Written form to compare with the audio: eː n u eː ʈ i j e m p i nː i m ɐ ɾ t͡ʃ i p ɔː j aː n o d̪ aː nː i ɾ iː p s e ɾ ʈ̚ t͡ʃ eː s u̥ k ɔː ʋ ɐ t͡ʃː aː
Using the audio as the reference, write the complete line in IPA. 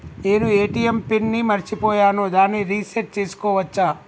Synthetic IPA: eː n u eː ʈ i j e m p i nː i m ɐ ɾ t͡ʃ i p ɔː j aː n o d̪ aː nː i ɾ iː s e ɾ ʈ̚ t͡ʃ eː s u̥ k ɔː ʋ ɐ t͡ʃː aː

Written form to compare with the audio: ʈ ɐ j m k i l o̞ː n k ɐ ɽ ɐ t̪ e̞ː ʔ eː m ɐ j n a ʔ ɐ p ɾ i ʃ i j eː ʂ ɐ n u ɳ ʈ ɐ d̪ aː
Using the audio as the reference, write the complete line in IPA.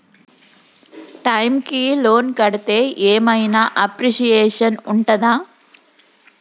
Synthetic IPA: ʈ ɐ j m k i l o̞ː n k ɐ ɽ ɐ t̪ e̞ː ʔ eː m ɐ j n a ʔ ɐ p ɾ i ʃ i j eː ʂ ɐ n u ɳ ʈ ɐ d̪ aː

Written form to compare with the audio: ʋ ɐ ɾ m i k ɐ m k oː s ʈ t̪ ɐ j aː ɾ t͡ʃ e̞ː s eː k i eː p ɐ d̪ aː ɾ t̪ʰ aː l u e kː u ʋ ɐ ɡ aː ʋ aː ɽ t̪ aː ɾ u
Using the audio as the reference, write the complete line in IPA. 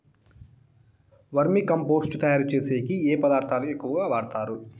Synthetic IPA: ʋ ɐ ɾ m i k ɐ m p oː s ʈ t̪ ɐ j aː ɾ t͡ʃ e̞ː s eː k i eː p ɐ d̪ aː ɾ t̪ʰ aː l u e kː u ʋ ɐ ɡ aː ʋ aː ɽ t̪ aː ɾ u

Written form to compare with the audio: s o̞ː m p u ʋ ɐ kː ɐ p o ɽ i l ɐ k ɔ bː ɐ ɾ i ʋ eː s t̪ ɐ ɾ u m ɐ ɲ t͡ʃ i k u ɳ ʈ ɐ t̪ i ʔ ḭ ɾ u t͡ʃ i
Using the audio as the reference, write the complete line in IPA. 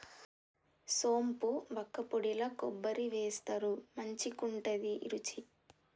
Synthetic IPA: s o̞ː m p u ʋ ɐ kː ɐ p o ɽ i l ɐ k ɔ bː ɐ ɾ i ʋ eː s t̪ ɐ ɾ u m ɐ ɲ t͡ʃ i k u ɳ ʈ ɐ d̪ i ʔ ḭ ɾ u t͡ʃ i

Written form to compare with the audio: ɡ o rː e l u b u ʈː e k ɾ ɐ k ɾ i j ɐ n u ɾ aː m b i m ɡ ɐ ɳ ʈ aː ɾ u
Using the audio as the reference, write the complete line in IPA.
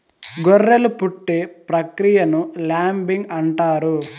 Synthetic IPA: ɡ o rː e l u p u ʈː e p ɾ ɐ k ɾ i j ɐ n u l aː m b i ŋ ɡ ɐ ɳ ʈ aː ɾ u

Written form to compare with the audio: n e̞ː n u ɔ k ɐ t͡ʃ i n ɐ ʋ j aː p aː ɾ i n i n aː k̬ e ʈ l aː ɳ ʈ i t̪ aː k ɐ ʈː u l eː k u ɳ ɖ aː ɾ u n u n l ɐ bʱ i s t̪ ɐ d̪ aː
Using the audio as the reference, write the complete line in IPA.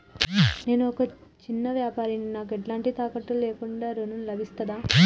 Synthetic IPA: n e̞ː n u ɔ k ɐ t͡ʃ i nː ɐ ʋ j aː p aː ɾ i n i n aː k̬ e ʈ l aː ɳ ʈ i t̪ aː k ɐ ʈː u l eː k u ɳ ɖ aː ɾ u n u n l ɐ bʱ i s t̪ ɐ d̪ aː

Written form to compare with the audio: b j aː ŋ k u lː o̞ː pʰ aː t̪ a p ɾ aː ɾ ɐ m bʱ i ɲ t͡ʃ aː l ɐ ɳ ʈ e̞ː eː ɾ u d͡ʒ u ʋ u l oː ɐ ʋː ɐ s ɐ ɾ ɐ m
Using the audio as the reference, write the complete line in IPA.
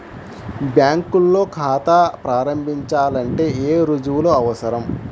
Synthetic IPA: b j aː ŋ k u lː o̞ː kʰ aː t̪ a p ɾ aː ɾ ɐ m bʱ i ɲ t͡ʃ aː l ɐ ɳ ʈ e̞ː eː ɾ u d͡ʒ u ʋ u l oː ɐ ʋ ɐ s ɐ ɾ ɐ m

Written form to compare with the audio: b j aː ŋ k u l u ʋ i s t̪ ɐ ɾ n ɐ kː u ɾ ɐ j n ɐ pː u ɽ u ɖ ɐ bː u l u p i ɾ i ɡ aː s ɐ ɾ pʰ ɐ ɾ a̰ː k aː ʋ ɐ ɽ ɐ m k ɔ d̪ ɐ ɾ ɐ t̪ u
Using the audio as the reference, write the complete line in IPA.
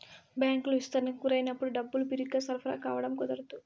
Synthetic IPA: b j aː ŋ k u l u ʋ i s t̪ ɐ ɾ n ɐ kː u ɾ ɐ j n ɐ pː u ɽ u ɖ ɐ bː u l u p i ɾ i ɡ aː s ɐ ɾ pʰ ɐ ɾ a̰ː k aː ʋ ɐ ɽ ɐ m k ɔ d̪ ɐ ɾ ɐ t̪ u

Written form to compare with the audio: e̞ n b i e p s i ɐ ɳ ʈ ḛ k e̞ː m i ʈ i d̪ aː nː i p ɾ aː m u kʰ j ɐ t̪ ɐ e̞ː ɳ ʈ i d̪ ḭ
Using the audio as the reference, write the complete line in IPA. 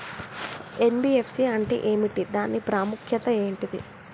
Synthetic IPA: e̞ n b i e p s i ɐ ɳ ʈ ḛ ʔ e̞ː m i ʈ i d̪ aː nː i p ɾ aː m u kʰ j ɐ t̪ ɐ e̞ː ɳ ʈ i d̪ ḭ

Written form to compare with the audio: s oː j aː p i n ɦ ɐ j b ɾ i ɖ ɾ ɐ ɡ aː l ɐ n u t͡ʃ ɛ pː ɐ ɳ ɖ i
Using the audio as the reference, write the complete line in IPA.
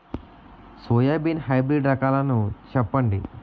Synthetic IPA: s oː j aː b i n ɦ ɐ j b ɾ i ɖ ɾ ɐ k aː l ɐ n u t͡ʃ ɛ pː ɐ ɳ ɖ i

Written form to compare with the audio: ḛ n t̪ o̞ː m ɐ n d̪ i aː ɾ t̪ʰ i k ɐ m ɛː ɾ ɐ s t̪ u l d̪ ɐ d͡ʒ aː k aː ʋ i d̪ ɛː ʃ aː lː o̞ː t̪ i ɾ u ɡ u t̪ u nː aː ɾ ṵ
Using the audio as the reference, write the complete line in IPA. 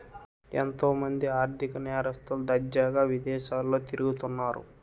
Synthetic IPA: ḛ n t̪ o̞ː m ɐ n d̪ i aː ɾ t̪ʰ i k ɐ n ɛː ɾ ɐ s t̪ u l d̪ ɐ d͡ʒ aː ɡ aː ʋ i d̪ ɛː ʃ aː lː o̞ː t̪ i ɾ u ɡ u t̪ u nː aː ɾ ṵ

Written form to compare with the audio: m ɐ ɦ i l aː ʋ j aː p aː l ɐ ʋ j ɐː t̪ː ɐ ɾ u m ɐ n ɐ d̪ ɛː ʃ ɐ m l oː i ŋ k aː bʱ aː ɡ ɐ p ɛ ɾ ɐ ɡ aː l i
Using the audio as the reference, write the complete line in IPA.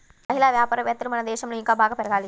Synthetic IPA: m ɐ ɦ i l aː ʋ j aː p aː ɾ ɐ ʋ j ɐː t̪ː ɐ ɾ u m ɐ n ɐ d̪ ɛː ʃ ɐ m l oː i ŋ k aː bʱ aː ɡ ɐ p ɛ ɾ ɐ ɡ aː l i

